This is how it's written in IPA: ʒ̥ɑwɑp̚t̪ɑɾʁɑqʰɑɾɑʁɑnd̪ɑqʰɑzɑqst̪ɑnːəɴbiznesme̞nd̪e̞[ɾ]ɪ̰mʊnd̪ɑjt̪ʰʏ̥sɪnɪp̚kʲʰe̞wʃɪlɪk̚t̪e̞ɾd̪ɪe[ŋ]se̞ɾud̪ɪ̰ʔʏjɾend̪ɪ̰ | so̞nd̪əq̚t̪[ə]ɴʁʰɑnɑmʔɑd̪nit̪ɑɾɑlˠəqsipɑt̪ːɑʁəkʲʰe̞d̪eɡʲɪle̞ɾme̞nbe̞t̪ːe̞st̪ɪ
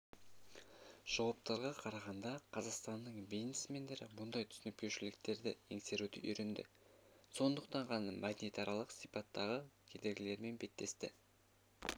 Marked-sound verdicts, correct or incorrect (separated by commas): correct, correct, incorrect